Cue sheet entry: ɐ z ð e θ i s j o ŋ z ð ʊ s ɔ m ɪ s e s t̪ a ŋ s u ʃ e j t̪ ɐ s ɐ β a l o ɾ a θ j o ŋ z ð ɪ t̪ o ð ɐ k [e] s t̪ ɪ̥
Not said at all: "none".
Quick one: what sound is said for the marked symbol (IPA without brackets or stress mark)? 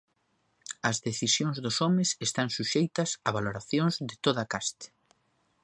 a